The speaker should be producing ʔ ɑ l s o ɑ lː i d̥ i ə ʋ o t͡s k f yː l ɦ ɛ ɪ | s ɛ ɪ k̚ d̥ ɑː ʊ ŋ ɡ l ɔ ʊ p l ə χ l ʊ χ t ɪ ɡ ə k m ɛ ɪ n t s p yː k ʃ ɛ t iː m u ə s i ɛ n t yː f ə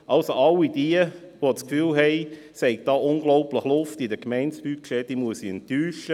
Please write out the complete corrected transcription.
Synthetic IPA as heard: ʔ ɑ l s o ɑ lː i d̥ i ə ʋ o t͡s k f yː l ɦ ɛ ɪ | s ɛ ɪ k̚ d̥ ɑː ʊ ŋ ɡ l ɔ ʊ p l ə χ l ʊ f t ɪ d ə k m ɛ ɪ n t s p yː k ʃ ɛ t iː m u ə s i ɛ n t yː ʃ ə